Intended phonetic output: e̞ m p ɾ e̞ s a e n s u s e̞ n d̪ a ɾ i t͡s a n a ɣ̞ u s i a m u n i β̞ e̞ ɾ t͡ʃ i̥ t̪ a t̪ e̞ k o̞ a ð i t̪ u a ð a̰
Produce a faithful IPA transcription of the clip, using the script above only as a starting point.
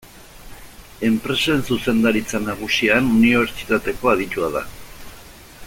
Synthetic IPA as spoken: e̞ m p ɾ e̞ s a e n s u s e̞ n d̪ a ɾ i t͡s a n a ɣ̞ u s i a n u n i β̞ e̞ ɾ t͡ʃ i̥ t̪ a t̪ e̞ k o̞ a ð i t̪ u a ð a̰